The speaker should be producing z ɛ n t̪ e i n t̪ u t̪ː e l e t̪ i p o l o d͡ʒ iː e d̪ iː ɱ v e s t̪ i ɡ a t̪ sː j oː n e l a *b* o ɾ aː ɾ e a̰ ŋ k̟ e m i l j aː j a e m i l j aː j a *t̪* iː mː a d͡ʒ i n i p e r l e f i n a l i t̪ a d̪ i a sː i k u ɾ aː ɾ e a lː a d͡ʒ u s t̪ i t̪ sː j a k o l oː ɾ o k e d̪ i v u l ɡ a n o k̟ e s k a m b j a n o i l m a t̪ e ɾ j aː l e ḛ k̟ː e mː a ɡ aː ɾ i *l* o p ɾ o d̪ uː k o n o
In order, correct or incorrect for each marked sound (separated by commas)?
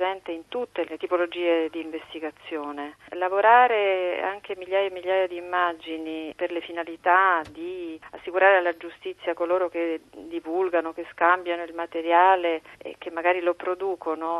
incorrect, incorrect, correct